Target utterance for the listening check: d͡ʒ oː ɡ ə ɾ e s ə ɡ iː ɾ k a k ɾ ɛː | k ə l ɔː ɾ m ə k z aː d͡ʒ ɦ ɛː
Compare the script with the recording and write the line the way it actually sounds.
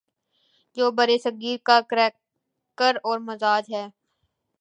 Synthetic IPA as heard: d͡ʒ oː b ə ɾ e s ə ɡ iː ɾ k a k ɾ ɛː | k ə ɾ ɔː ɾ m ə z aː d͡ʒ ɦ ɛː